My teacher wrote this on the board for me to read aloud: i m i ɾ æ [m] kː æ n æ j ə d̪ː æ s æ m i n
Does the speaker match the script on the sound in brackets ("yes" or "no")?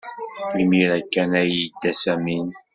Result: no